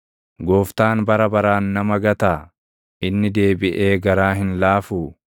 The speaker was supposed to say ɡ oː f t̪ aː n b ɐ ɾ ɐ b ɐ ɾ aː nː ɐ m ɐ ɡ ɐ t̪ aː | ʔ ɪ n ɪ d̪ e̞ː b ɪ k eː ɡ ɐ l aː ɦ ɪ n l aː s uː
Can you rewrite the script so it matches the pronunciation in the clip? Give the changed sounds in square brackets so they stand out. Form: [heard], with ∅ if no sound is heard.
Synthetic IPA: ɡ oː f t̪ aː n b ɐ ɾ ɐ b ɐ ɾ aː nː ɐ m ɐ ɡ ɐ t̪ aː | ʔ ɪ [nː] ɪ d̪ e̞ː b ɪ [ʔ] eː ɡ ɐ [ɾ] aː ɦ ɪ n l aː [f] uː